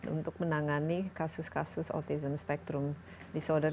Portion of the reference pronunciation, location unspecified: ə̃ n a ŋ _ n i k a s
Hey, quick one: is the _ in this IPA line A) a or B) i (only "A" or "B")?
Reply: A